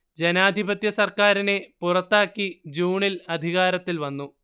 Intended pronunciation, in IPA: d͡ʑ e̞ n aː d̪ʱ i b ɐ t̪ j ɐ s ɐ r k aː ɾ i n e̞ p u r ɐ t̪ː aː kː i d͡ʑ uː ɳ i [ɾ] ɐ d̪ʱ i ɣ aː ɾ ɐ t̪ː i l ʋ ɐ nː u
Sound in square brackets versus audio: incorrect: l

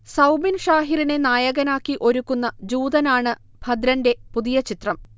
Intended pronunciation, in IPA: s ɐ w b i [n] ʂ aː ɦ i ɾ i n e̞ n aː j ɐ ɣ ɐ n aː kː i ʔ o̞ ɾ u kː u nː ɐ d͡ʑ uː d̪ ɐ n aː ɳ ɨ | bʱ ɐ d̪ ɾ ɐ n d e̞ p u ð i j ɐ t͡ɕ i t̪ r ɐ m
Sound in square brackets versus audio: correct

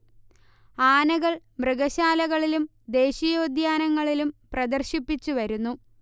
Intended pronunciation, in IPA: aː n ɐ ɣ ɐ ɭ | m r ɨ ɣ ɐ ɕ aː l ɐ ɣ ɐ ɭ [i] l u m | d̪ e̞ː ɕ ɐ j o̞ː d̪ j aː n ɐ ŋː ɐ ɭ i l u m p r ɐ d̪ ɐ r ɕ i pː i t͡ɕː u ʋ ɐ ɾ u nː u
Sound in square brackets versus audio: correct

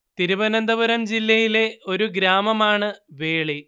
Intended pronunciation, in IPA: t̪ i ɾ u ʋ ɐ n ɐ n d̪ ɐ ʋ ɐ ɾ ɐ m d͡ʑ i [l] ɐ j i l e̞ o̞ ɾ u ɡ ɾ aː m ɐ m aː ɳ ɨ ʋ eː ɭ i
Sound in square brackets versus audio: incorrect: lː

